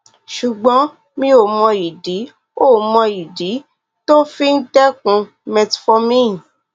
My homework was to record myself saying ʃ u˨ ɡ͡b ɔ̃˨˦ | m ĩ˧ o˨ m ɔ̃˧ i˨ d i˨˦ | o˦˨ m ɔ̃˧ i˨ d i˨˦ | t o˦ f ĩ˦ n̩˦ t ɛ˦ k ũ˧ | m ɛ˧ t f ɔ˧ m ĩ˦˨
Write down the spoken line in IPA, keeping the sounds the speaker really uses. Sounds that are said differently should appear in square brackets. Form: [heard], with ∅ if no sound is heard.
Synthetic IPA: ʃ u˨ ɡ͡b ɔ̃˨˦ | m ĩ˧ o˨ m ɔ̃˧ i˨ d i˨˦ | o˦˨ m ɔ̃˧ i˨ d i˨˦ | t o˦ f [i˦] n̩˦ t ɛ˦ k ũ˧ | m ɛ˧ t f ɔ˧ m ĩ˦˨

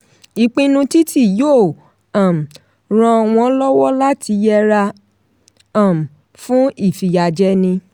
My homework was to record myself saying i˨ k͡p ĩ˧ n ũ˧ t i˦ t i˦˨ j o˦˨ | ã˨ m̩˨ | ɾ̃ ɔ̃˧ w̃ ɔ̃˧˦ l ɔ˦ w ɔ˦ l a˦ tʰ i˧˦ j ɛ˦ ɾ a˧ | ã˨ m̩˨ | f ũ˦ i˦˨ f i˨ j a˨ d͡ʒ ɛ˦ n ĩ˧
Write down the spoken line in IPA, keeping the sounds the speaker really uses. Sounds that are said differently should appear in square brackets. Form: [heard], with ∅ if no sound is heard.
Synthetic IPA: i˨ k͡p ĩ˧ n ũ˧ t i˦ t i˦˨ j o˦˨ | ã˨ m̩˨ | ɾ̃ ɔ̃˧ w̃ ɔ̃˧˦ l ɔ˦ w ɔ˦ l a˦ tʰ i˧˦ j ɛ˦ ɾ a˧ | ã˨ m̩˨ | f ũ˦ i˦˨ f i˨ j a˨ d͡ʒ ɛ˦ n ĩ˧

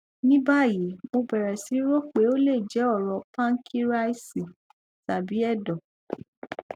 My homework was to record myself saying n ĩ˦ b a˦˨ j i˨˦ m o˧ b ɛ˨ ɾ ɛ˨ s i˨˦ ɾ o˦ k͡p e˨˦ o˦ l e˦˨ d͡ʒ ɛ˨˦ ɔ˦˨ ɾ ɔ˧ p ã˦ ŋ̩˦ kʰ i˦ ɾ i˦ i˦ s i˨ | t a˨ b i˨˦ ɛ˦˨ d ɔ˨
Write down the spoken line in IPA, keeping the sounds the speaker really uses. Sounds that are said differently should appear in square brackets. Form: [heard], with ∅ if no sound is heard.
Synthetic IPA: n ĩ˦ b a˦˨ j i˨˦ m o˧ b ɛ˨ ɾ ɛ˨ s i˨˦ ɾ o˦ k͡p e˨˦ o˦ l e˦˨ d͡ʒ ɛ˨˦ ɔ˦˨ ɾ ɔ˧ p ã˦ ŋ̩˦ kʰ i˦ ɾ [a˦] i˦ s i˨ | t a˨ b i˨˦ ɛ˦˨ d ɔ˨

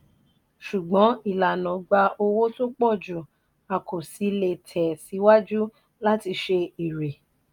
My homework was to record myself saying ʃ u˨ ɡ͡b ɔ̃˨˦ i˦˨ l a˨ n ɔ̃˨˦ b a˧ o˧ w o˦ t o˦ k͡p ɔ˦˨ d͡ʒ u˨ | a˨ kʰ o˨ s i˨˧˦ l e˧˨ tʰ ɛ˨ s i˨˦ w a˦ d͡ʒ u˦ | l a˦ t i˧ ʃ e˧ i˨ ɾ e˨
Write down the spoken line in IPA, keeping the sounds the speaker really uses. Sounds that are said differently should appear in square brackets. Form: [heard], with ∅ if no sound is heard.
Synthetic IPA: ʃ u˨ ɡ͡b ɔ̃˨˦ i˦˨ l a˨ n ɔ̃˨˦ [ɡ͡b] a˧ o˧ w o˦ t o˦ k͡p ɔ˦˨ d͡ʒ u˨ | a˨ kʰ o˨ s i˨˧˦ l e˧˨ tʰ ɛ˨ s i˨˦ w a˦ d͡ʒ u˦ | l a˦ t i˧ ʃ e˧ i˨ ɾ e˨

